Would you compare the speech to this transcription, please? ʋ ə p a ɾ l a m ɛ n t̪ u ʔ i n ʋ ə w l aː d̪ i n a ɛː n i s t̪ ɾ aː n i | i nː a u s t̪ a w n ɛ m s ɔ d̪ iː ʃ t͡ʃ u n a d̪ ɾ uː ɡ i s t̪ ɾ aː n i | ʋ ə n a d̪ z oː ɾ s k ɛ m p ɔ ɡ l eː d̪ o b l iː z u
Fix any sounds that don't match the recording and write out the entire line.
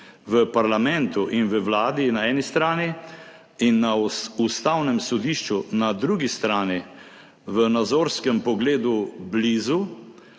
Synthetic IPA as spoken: ʋ ə p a ɾ l a m ɛ n t̪ u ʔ i n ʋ ə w l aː d̪ i n a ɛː n i s t̪ ɾ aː n i | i nː a u s t̪ a w n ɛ m s ɔ d̪ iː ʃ t͡ʃ u n a d̪ ɾ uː ɡ i s t̪ ɾ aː n i | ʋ ə n a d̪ z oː ɾ s k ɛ m p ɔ ɡ l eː d̪ u b l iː z u